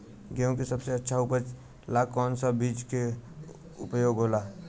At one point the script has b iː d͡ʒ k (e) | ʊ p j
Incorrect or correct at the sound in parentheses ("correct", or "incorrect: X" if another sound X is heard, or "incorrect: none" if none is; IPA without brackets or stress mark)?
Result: correct